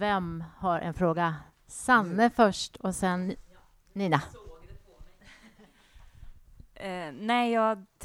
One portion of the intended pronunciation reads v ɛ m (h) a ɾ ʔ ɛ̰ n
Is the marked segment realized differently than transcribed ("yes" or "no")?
no